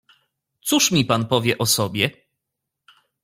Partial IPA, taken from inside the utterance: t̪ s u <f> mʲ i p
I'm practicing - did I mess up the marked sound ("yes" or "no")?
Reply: yes